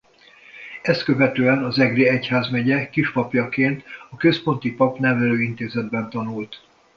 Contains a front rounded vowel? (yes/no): yes